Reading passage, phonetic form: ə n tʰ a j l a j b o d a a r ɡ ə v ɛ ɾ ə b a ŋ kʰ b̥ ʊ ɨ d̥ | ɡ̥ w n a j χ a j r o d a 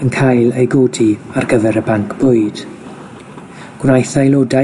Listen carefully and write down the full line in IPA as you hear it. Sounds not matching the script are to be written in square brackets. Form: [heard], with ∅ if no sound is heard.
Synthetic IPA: ə n [kʰ] a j l [e] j [ɡ] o d [i] a r ɡ ə v ɛ ɾ ə b a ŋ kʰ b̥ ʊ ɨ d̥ | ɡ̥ w n a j [θ] a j [l] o d a